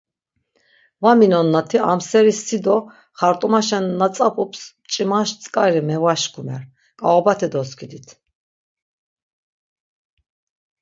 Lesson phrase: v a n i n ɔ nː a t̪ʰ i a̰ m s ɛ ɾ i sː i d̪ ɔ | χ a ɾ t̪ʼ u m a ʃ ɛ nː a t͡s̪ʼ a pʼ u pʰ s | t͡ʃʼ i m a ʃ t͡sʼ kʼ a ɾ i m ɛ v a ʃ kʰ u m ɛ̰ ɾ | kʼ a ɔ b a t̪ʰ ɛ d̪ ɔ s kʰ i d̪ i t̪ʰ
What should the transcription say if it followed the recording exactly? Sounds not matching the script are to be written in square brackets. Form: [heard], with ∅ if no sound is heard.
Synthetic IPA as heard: v a [m] i n ɔ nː a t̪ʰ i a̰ m s ɛ ɾ i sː i d̪ ɔ | χ a ɾ t̪ʼ u m a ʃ ɛ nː a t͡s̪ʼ a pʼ u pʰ s | t͡ʃʼ i m a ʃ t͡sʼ kʼ a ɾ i m ɛ v a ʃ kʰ u m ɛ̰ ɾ | kʼ a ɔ b a t̪ʰ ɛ d̪ ɔ s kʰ i d̪ i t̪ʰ